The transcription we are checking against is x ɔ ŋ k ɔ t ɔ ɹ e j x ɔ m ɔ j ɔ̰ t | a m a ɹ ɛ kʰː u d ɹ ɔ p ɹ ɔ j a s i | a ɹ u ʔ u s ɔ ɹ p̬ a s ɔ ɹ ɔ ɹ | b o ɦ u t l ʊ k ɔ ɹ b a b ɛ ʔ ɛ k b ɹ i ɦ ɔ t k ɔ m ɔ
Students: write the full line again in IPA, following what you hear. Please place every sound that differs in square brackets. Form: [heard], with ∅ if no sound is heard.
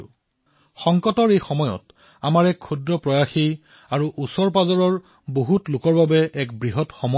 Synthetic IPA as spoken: x ɔ ŋ k ɔ t ɔ ɹ e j x ɔ m ɔ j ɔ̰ t | a m a ɹ ɛ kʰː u d ɹ ɔ p ɹ ɔ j a [x] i | a ɹ u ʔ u s ɔ ɹ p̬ a [z] ɔ ɹ ɔ ɹ | b o ɦ u t l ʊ k ɔ ɹ b a b ɛ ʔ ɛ k b ɹ i ɦ ɔ t [x] ɔ m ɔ